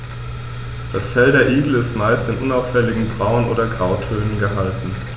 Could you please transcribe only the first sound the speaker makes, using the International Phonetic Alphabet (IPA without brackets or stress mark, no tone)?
d̥